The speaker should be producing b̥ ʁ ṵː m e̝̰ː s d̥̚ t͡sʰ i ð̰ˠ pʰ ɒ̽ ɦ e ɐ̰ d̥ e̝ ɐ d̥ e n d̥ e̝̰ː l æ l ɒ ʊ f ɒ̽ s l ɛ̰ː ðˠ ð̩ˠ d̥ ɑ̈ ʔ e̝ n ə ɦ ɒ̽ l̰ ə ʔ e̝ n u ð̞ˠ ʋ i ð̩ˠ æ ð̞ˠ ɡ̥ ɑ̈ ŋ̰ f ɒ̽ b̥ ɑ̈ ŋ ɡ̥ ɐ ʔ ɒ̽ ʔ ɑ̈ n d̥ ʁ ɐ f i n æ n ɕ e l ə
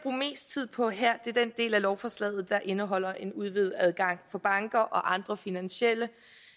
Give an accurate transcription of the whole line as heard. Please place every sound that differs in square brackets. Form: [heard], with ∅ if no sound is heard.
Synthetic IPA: b̥ ʁ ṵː m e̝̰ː s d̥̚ t͡sʰ i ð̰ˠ pʰ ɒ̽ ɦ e ɐ̰ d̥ e̝ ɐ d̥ e n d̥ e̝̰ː l æ l ɒ ʊ f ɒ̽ s l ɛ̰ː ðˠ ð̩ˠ d̥ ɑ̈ ʔ e̝ n ə ɦ ɒ̽ l̰ [ɐ] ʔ e̝ n u ð̞ˠ ʋ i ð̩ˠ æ ð̞ˠ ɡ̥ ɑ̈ ŋ̰ f ɒ̽ b̥ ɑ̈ ŋ ɡ̥ ɐ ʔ ɒ̽ ʔ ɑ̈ n d̥ ʁ ɐ f i n æ n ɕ e l ə